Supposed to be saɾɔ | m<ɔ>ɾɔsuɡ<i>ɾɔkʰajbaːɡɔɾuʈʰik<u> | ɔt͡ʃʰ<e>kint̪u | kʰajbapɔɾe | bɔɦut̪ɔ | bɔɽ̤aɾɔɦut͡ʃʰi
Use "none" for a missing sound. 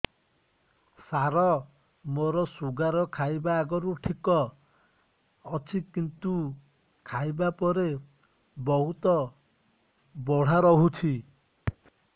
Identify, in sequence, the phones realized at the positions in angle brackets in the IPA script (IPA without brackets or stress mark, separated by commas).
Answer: o, a, ɔ, i